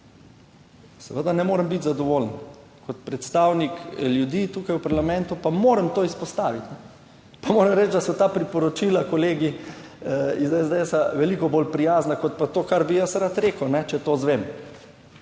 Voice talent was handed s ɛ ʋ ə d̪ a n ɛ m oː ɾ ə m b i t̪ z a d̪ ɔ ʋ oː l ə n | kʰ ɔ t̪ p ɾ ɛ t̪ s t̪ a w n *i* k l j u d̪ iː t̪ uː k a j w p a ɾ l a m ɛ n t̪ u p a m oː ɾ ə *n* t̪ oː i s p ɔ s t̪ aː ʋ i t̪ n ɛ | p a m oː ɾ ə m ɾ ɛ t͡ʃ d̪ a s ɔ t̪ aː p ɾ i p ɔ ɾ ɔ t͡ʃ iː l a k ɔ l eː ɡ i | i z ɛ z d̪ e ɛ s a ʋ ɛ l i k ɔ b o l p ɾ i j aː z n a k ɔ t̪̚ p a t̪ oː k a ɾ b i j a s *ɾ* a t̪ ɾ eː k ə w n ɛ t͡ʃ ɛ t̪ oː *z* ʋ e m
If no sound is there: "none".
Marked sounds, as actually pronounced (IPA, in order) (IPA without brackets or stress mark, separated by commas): i, m, ɾ, z